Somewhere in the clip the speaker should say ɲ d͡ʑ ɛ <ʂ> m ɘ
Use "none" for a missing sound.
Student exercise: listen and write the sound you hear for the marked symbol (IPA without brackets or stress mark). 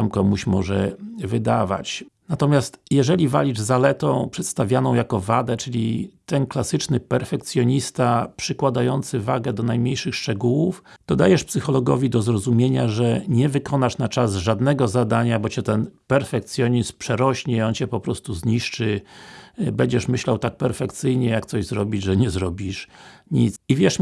ʂ